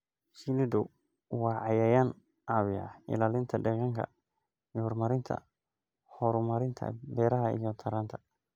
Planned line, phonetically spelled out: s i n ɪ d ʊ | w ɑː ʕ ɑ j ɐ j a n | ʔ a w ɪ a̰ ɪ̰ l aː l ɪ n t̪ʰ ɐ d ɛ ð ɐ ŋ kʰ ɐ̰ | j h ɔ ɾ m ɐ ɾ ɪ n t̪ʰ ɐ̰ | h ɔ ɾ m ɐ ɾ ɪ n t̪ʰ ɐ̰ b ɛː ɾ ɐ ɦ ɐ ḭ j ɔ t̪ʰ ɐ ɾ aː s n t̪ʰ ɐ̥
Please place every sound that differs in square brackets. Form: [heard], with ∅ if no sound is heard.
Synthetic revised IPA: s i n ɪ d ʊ | w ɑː ʕ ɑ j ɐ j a n | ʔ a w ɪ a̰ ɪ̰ l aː l ɪ n t̪ʰ ɐ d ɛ [ɣ] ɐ ŋ kʰ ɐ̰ | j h ɔ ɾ m ɐ ɾ ɪ n t̪ʰ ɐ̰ | h ɔ ɾ m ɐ ɾ ɪ n t̪ʰ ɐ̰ b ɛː ɾ ɐ ɦ ɐ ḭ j ɔ t̪ʰ ɐ ɾ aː [∅] n t̪ʰ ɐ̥